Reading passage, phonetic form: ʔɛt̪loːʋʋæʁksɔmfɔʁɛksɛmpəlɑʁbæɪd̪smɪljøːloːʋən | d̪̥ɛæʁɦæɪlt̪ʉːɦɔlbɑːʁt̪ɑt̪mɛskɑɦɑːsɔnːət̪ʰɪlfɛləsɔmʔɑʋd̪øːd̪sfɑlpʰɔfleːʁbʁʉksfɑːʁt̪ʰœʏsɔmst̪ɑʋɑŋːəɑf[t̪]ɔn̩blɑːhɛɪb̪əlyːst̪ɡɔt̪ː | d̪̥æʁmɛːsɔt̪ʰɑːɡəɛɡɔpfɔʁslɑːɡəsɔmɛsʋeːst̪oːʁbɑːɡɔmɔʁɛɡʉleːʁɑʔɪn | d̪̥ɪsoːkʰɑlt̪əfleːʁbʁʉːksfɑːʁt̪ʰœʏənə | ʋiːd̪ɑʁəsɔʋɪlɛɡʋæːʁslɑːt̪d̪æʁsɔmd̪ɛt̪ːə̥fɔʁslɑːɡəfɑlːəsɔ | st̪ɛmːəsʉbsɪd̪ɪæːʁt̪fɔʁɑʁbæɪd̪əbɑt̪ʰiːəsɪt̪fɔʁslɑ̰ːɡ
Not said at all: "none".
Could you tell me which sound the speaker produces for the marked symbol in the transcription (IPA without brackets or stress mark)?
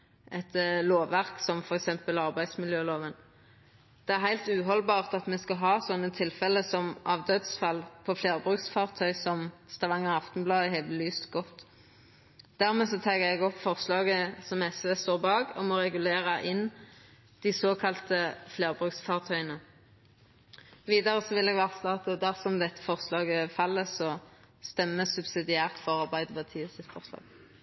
t̪